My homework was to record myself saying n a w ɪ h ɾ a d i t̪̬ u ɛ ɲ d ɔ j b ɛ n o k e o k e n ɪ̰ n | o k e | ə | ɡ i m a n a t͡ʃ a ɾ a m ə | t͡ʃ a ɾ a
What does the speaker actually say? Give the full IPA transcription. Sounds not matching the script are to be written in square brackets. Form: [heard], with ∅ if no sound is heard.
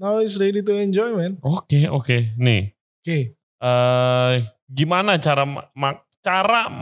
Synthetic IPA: n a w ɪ [s] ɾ [e] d i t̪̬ u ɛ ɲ [d͡ʒ] ɔ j [m] ɛ n o k e o k e n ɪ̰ [∅] | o k e | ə | ɡ i m a n a t͡ʃ a ɾ a m [a] | t͡ʃ a ɾ a